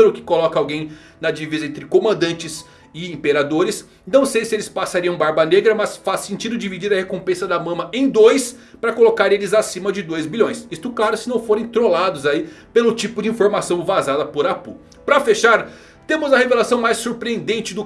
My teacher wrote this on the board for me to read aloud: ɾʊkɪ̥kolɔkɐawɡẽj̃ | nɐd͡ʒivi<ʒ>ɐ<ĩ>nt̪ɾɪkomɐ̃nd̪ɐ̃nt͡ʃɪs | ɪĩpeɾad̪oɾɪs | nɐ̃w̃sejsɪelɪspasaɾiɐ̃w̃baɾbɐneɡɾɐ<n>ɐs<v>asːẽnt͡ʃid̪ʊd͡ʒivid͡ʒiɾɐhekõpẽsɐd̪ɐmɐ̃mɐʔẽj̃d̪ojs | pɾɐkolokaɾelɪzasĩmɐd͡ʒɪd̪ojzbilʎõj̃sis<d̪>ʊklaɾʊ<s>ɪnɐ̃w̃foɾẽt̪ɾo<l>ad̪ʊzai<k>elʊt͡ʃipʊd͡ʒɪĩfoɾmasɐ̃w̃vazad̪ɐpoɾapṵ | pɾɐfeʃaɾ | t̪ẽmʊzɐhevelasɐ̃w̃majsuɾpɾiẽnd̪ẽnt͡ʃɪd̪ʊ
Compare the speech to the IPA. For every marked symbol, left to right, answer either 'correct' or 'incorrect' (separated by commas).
incorrect, incorrect, incorrect, incorrect, incorrect, correct, correct, incorrect